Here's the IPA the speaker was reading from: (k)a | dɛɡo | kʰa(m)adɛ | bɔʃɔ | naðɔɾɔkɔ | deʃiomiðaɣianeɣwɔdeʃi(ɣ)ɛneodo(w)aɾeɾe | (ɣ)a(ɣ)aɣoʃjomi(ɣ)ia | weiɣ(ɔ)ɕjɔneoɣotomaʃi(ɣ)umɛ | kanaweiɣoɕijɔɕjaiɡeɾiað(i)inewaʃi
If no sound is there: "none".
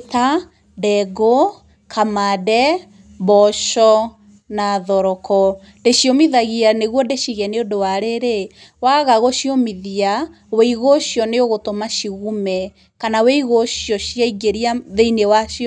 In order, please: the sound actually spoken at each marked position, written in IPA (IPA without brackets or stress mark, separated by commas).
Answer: t, m, ɣ, w, w, ɣ, ð, o, ɣ, e